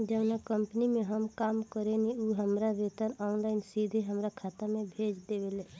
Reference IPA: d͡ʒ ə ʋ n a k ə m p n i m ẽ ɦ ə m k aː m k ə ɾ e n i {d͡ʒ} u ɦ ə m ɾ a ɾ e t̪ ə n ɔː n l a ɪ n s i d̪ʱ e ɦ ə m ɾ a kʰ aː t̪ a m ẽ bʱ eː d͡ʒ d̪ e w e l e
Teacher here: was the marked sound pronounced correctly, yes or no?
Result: no